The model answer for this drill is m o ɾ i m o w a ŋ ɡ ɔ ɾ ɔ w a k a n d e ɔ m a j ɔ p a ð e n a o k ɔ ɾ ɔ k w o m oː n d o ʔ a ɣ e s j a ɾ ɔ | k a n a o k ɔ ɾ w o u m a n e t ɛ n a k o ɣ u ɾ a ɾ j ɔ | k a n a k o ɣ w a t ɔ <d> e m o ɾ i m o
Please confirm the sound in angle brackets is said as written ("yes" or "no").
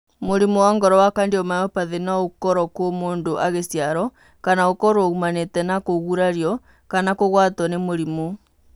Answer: no